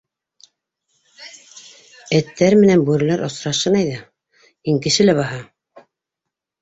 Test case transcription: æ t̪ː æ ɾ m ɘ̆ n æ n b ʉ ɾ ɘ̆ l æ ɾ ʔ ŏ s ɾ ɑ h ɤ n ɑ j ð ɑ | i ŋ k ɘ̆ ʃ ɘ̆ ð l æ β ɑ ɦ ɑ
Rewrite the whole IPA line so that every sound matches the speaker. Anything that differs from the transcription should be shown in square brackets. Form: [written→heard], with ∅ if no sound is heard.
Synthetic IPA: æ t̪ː æ ɾ m ɘ̆ n æ n b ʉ ɾ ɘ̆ l æ ɾ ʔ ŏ s ɾ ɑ [h→ʃ] ɤ n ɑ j ð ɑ | i ŋ k ɘ̆ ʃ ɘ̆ [ð→∅] l æ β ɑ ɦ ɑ